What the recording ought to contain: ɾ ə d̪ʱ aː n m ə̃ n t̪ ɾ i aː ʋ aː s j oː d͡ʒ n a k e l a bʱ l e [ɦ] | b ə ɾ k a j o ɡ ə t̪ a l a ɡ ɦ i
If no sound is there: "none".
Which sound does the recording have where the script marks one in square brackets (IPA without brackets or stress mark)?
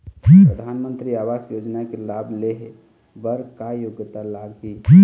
ɦ